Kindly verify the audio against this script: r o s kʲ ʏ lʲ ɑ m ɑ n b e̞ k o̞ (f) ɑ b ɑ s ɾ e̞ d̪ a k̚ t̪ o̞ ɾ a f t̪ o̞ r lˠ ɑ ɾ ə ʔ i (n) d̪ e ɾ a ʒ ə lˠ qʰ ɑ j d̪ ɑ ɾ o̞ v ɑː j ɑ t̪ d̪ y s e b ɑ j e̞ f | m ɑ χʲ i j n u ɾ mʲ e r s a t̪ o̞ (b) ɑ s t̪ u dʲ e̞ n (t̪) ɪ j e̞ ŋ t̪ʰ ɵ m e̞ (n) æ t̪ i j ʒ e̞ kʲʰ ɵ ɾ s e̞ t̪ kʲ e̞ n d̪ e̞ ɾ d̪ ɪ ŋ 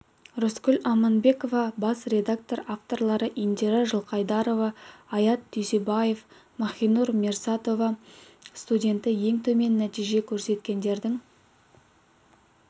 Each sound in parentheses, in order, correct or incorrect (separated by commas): incorrect, correct, incorrect, correct, incorrect